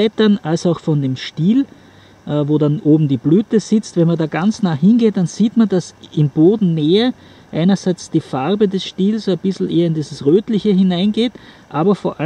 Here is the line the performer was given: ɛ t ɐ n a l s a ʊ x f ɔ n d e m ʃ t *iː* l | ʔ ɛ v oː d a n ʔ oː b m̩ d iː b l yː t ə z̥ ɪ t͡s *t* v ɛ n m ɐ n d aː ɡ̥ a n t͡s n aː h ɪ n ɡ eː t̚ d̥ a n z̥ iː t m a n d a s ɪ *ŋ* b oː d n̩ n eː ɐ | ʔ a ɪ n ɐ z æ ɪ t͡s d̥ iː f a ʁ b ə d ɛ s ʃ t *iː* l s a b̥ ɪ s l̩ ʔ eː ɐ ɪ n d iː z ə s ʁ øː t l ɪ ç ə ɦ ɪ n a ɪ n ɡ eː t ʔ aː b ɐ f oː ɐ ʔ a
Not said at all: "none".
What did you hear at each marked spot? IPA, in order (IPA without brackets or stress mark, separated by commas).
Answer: iː, t, m, iː